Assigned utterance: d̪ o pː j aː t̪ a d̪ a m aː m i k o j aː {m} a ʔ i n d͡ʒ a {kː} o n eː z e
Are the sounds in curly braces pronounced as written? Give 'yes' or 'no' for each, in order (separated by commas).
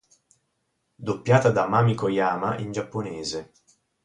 yes, no